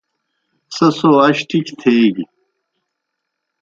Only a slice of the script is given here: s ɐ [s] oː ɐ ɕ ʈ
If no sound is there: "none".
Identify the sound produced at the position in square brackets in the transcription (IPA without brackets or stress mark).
s